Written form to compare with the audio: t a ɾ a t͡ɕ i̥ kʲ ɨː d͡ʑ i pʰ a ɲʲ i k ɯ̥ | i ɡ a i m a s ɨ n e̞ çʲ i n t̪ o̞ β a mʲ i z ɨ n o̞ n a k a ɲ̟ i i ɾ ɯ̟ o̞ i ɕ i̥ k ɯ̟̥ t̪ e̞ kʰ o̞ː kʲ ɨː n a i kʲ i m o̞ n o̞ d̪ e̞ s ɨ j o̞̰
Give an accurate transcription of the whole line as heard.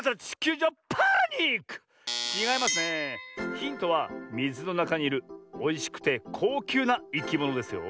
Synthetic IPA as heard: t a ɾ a t͡ɕ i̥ kʲ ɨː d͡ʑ a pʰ a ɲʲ i k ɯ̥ | i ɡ a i m a s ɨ n e̞ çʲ ĩ n t̪ o̞ β a mʲ i z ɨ n o̞ n a k a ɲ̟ i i ɾ ɯ̟ o̞ i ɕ i̥ k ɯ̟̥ t̪ e̞ kʰ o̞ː kʲ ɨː n a i kʲ i m o̞ n o̞ d̪ e̞ s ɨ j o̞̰